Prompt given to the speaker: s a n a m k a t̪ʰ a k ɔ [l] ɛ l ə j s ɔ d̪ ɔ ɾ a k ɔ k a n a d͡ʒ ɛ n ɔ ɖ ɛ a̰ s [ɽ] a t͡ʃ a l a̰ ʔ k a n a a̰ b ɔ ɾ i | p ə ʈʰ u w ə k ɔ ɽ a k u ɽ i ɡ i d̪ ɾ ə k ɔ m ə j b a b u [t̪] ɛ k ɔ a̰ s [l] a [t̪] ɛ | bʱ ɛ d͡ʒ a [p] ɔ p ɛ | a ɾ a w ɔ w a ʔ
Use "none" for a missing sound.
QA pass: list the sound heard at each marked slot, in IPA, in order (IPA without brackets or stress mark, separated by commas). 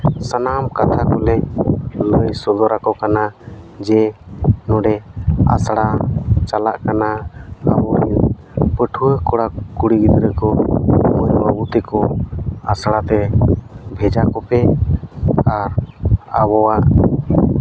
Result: l, ɽ, t̪, ɽ, t̪, k